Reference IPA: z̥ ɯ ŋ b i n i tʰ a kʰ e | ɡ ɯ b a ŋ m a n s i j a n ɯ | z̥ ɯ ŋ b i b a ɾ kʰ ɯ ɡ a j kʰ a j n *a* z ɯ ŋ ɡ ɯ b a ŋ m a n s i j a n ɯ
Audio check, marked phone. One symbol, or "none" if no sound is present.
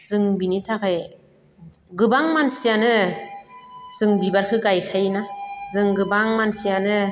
a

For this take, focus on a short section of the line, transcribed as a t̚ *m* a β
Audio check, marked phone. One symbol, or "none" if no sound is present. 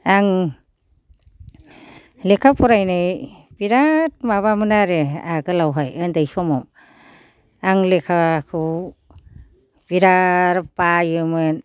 m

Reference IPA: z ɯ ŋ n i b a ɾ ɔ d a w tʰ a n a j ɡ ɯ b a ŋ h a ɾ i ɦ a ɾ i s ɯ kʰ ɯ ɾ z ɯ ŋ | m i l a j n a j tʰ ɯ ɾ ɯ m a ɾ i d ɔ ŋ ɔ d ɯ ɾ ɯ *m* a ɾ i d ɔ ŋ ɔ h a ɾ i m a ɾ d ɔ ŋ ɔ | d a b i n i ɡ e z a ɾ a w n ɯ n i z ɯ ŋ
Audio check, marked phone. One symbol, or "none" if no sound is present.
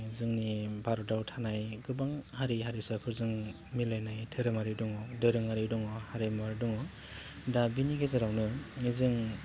ŋ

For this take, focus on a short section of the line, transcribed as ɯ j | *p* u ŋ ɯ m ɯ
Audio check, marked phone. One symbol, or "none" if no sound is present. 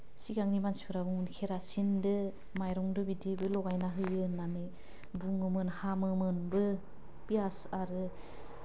b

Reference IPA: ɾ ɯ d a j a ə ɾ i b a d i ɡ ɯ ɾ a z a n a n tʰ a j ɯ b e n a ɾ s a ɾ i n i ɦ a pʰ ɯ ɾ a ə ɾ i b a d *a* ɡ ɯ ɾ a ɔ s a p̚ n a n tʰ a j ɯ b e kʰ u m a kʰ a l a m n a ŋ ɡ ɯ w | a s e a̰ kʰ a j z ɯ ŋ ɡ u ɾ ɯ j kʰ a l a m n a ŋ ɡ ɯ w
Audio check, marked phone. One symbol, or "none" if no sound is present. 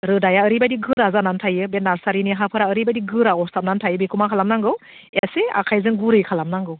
i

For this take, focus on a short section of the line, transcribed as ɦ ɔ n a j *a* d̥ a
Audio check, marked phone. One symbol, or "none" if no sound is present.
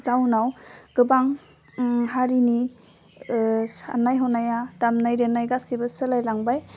a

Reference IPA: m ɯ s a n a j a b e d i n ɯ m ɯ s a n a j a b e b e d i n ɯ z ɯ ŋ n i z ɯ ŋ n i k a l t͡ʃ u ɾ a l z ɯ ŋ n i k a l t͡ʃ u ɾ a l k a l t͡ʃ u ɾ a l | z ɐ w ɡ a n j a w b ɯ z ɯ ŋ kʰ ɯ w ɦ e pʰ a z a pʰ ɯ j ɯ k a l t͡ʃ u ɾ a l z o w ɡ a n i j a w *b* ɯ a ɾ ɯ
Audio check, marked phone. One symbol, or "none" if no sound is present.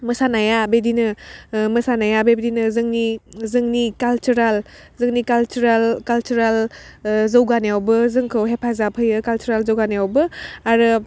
b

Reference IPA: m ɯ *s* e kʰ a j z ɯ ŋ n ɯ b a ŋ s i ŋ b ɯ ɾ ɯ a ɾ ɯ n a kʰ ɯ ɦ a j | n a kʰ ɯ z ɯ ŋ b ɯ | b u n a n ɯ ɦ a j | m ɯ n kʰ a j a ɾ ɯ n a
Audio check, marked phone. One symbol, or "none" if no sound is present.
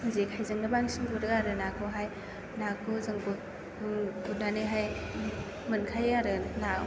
z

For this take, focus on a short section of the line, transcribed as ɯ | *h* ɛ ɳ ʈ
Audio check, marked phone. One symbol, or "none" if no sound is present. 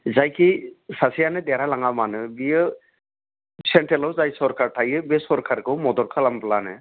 s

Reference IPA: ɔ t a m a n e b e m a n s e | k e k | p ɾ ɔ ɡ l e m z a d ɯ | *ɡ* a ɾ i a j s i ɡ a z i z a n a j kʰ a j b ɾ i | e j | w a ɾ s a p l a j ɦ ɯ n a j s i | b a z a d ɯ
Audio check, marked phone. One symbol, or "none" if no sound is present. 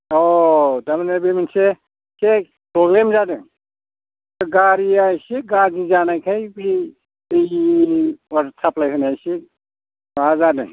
ɡ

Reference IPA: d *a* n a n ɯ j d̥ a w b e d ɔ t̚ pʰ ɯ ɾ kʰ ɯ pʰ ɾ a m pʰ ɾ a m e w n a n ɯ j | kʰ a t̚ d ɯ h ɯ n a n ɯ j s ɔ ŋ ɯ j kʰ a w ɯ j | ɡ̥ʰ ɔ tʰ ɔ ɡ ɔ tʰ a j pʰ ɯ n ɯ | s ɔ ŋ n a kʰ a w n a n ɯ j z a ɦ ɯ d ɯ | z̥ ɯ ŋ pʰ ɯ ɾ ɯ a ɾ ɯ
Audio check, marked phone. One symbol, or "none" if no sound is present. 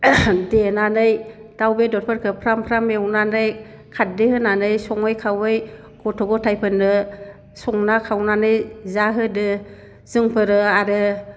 e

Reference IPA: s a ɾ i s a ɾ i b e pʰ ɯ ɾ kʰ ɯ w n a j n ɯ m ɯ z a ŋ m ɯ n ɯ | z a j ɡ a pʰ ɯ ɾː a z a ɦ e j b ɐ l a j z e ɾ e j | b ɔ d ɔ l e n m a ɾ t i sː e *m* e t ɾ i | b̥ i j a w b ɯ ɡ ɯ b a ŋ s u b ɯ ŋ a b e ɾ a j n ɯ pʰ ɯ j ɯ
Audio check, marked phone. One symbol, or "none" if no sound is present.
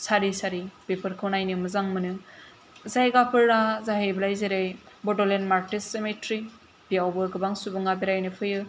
m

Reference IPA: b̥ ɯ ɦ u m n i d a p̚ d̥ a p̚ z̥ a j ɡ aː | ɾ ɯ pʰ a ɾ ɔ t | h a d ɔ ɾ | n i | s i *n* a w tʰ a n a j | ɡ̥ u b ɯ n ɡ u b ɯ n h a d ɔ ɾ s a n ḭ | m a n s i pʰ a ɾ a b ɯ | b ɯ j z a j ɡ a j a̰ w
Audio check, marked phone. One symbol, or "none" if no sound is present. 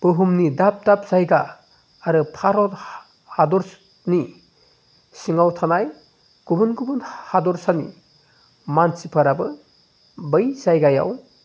ŋ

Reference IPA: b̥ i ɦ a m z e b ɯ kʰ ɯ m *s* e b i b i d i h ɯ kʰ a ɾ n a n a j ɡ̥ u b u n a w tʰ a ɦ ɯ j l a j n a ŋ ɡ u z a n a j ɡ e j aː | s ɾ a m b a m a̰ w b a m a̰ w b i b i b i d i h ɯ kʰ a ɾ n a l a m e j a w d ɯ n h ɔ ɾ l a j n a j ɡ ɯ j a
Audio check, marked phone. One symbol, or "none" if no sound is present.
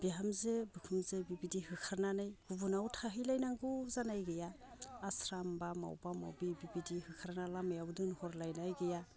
z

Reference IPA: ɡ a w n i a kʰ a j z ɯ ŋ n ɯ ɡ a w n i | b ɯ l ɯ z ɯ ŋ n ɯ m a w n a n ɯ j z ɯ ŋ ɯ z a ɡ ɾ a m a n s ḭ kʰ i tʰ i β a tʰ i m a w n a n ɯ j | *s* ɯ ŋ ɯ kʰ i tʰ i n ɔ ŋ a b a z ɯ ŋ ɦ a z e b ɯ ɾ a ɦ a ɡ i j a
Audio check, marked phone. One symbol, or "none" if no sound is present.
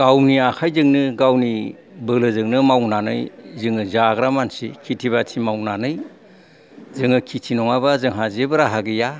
z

